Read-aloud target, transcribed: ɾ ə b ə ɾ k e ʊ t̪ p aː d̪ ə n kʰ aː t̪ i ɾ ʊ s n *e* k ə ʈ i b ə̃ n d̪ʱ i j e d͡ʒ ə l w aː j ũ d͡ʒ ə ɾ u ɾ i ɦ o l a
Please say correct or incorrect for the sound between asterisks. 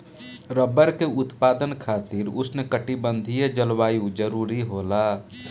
correct